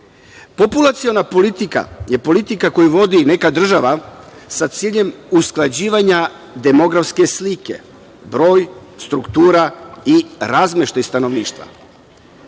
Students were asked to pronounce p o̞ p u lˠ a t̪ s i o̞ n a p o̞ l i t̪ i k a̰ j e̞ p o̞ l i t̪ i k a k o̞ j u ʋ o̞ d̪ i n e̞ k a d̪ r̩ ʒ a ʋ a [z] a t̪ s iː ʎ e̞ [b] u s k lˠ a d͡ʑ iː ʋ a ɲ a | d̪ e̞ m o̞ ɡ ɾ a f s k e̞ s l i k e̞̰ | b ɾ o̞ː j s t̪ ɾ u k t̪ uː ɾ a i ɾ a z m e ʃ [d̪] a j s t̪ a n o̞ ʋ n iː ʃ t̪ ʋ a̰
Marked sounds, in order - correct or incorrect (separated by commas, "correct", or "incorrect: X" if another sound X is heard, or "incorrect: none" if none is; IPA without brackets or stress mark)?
incorrect: s, incorrect: m, incorrect: t̪